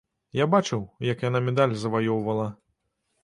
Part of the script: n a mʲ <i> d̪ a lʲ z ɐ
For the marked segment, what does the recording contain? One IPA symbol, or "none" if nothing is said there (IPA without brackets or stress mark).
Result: ɛ